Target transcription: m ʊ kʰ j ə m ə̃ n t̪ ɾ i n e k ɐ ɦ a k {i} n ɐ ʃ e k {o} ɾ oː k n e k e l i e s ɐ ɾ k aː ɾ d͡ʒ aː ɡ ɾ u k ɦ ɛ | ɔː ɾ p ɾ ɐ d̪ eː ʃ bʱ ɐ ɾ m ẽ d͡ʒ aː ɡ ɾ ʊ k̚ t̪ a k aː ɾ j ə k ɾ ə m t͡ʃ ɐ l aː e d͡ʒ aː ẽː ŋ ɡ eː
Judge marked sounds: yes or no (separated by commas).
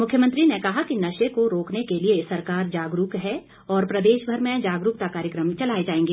yes, yes